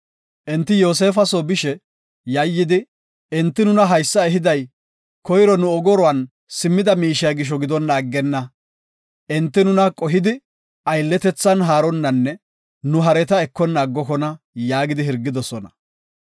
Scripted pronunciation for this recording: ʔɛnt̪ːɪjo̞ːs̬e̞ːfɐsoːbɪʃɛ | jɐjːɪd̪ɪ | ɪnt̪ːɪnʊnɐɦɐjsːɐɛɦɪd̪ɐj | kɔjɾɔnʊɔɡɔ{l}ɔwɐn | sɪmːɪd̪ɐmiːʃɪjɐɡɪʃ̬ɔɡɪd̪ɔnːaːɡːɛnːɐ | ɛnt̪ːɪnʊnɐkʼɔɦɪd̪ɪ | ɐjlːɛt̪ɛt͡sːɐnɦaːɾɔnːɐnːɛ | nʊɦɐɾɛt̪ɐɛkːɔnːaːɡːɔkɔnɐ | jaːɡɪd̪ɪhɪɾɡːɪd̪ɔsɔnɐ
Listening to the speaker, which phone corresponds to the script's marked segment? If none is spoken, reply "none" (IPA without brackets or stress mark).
ɾ